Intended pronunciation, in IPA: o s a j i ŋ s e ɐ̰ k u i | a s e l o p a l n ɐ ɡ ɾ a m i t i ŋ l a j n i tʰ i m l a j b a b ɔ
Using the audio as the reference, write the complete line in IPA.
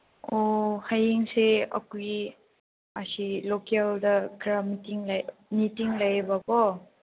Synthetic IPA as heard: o h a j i ŋ s e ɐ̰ k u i | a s i l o k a l d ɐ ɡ ɾ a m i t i ŋ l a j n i t i ŋ l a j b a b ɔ

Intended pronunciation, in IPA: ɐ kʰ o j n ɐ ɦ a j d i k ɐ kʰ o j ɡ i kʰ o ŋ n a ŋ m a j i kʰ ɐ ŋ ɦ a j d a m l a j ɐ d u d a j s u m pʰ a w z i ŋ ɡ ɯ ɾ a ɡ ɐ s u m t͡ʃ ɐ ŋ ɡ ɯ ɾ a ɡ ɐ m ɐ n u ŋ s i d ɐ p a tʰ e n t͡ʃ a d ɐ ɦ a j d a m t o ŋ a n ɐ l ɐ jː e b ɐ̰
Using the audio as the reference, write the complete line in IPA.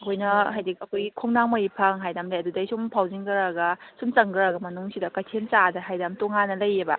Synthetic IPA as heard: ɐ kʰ o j n ɐ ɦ a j d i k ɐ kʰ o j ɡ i kʰ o ŋ n a ŋ m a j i pʰ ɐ ŋ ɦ a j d a m l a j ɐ d u d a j s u m pʰ a w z i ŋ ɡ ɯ ɾ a ɡ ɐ s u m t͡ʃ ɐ ŋ ɡ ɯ ɾ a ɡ ɐ m ɐ n u ŋ s i d ɐ k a tʰ e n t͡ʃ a d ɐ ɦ a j d a m t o ŋ a n ɐ l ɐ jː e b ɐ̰

